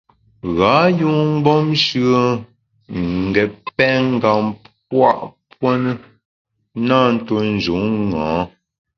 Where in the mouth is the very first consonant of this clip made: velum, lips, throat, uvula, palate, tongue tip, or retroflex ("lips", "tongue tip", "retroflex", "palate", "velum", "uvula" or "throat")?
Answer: velum